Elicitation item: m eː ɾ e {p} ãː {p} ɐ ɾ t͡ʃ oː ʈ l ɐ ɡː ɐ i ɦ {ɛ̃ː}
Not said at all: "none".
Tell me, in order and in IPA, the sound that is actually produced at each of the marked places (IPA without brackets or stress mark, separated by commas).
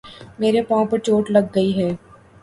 p, p, ɛː